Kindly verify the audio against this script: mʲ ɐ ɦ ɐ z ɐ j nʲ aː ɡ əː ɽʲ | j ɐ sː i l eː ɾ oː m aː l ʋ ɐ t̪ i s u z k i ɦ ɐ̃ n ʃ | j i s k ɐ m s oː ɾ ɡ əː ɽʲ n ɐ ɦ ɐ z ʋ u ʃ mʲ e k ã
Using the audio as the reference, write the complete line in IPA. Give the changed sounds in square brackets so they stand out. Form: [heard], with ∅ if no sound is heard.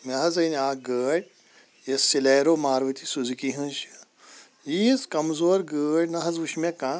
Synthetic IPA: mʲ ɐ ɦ ɐ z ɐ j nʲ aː ɡ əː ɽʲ | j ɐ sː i l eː ɾ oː m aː [ɾ] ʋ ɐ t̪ i s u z k i ɦ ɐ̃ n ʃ | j i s k ɐ m [z] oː ɾ ɡ əː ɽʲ n ɐ ɦ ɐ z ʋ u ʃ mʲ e k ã